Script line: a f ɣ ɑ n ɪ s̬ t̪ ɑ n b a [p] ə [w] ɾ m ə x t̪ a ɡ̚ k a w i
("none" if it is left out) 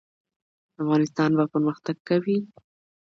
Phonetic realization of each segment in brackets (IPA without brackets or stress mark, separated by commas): p, none